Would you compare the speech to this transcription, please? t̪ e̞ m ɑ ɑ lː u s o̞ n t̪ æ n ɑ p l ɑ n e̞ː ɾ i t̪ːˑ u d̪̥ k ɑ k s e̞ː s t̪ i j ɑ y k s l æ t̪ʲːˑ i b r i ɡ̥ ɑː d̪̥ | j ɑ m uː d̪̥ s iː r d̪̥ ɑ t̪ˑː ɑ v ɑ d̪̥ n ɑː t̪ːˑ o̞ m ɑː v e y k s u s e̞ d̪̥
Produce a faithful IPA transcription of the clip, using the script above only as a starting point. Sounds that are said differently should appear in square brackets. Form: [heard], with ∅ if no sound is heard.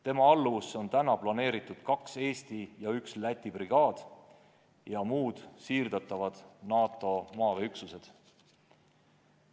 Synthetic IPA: t̪ e̞ m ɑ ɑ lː u s o̞ n t̪ æ n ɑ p l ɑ n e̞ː ɾ i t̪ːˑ u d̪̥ k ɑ k s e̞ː s t̪ i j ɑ y k s l æ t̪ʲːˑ i b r i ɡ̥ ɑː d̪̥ | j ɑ m uː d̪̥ s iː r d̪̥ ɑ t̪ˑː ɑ v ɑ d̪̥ n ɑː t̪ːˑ o̞ m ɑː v e y k s u s e̞ d̪̥